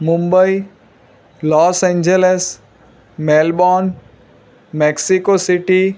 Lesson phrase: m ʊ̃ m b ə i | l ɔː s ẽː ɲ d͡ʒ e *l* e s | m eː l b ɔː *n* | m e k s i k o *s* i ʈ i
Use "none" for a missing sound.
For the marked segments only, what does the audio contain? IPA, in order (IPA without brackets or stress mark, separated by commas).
l, n, s